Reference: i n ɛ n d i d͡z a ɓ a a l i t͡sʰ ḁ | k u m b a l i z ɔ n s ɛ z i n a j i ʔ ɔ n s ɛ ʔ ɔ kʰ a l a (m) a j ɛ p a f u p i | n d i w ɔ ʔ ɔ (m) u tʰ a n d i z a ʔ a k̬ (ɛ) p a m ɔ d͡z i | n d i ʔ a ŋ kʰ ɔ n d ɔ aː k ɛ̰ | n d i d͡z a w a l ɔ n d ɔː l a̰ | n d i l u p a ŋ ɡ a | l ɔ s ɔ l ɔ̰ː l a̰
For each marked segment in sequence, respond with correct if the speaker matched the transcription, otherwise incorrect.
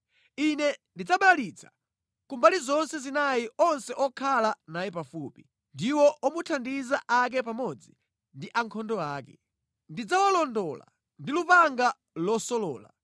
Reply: incorrect: n, correct, correct

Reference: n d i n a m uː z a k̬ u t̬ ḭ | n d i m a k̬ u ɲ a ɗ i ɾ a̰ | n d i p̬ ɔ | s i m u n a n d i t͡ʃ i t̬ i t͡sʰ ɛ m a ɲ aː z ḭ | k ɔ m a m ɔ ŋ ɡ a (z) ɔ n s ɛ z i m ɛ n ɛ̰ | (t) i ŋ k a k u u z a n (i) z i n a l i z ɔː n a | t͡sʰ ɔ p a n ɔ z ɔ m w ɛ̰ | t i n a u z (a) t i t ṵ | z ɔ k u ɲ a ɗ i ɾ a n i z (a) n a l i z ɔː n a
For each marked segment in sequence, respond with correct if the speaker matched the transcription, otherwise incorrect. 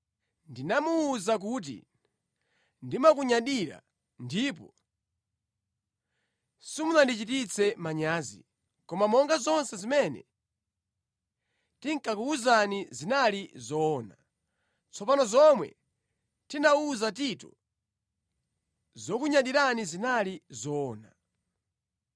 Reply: correct, correct, correct, correct, incorrect: i

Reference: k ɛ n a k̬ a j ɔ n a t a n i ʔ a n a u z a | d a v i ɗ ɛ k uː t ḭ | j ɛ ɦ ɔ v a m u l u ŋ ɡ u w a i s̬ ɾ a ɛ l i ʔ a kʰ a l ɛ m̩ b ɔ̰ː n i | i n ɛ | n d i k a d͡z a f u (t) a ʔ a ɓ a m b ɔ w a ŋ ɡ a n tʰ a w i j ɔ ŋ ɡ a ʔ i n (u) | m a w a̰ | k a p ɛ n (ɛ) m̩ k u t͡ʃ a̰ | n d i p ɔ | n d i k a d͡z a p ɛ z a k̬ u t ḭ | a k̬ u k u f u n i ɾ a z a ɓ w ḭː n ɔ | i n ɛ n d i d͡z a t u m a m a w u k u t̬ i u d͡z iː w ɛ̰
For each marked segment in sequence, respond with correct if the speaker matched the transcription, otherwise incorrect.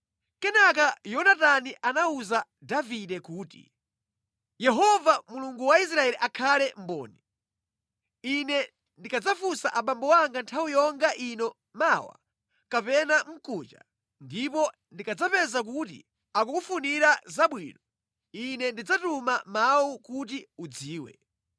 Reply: incorrect: s, incorrect: ɔ, incorrect: a

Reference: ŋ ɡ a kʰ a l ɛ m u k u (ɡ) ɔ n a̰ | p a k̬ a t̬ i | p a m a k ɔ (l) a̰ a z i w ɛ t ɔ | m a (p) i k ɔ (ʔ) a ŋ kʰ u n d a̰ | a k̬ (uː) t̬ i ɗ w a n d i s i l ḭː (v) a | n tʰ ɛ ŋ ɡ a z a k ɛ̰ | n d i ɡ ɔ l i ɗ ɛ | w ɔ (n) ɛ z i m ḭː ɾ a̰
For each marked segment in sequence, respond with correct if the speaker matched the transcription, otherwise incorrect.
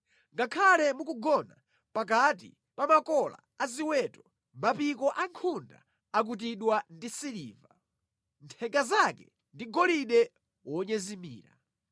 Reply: correct, correct, correct, correct, incorrect: u, correct, incorrect: ɲ

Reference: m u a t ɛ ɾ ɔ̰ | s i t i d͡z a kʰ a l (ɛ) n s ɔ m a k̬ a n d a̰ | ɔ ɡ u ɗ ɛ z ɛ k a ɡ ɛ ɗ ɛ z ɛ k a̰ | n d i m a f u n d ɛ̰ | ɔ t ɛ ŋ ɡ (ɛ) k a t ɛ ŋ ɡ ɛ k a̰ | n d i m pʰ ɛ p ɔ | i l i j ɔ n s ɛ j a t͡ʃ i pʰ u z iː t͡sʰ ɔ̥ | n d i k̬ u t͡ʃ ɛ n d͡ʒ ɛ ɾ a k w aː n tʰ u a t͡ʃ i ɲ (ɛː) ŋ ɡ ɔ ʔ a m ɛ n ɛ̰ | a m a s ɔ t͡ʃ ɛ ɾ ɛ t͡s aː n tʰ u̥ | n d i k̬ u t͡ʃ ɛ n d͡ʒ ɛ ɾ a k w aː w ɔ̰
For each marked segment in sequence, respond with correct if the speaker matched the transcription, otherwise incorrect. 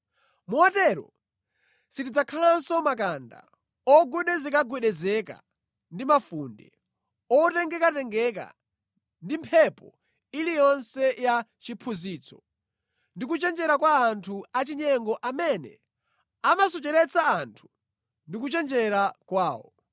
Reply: incorrect: a, correct, incorrect: ɛ

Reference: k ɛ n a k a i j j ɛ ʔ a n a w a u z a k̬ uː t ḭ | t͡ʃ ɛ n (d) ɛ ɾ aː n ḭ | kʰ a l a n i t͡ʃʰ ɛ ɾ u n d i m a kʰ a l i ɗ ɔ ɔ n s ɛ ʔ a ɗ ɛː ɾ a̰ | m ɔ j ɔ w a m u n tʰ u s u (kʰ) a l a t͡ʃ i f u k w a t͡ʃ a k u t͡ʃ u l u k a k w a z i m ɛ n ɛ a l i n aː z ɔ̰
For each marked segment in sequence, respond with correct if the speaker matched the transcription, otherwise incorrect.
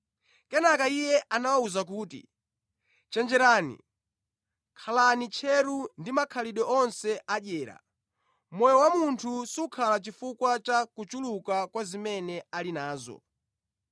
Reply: incorrect: d͡ʒ, correct

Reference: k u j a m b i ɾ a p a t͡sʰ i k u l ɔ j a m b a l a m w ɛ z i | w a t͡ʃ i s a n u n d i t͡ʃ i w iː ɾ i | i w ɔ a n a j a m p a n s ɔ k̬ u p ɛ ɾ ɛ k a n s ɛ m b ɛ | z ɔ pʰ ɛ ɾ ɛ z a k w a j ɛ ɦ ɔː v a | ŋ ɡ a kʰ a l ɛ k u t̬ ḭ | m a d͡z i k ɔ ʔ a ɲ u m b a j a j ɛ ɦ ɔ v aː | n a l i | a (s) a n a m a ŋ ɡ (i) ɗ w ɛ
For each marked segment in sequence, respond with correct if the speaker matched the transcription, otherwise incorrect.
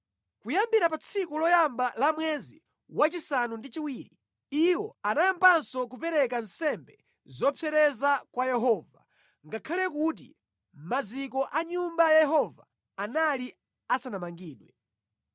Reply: correct, incorrect: iː

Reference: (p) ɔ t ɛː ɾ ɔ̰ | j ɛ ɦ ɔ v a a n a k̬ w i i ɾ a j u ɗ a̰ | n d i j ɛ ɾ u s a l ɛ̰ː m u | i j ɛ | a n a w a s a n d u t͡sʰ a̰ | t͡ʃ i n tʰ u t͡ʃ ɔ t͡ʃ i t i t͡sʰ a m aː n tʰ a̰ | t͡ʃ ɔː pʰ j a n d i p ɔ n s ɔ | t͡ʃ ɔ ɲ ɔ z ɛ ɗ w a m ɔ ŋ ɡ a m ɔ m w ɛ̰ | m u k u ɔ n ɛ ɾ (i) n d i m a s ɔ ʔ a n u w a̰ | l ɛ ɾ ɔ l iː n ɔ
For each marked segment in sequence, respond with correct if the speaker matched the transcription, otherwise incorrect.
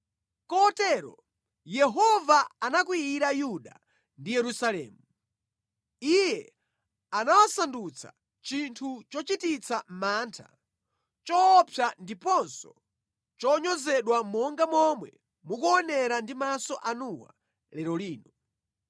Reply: incorrect: k, incorrect: a

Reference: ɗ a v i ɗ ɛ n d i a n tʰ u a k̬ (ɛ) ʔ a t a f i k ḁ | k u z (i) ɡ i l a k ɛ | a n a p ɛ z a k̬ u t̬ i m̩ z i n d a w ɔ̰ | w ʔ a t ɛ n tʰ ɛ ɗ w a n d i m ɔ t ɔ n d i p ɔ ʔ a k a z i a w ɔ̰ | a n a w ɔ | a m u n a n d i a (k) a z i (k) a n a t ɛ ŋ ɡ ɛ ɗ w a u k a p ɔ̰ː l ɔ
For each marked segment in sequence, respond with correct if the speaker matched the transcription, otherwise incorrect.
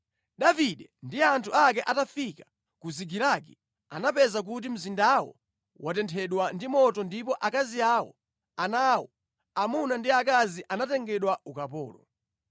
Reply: correct, correct, correct, incorrect: ʔ

